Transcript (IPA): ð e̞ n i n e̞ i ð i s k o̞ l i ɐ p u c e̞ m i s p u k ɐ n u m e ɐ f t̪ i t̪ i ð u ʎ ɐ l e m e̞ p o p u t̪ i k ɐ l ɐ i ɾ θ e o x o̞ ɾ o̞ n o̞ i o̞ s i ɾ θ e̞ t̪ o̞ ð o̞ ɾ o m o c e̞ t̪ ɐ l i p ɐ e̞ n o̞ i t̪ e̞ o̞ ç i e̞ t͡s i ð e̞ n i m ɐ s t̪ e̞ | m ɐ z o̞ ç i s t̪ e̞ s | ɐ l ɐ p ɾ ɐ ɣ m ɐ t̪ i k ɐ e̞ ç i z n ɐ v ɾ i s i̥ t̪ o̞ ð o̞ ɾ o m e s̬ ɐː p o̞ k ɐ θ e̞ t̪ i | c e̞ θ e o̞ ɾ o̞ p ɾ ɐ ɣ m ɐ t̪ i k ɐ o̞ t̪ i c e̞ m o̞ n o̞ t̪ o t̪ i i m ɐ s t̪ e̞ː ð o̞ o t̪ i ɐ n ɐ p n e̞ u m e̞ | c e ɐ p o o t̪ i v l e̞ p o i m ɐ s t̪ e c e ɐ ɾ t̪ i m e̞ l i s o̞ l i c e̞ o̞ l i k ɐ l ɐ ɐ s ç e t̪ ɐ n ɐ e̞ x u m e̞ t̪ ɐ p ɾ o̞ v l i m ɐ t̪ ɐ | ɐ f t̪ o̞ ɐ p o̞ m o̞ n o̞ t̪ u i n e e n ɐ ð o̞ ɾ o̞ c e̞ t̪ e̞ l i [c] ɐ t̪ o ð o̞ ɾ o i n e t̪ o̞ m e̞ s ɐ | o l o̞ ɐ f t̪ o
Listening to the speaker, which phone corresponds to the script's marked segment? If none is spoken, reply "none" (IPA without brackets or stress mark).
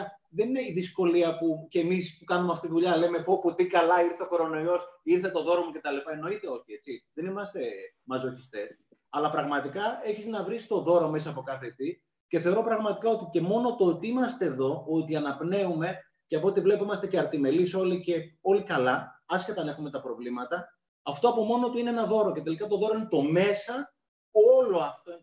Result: k